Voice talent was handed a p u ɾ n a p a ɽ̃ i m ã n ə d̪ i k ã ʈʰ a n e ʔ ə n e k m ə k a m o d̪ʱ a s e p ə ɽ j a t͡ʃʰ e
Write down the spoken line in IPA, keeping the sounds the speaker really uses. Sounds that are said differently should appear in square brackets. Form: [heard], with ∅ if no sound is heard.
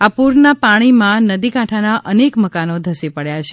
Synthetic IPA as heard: a p u ɾ n a p a ɽ̃ i m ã n ə d̪ i k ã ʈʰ a n [a] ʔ ə n e k m ə k a [n] o d̪ʱ [ə] s [i] p ə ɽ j a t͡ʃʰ e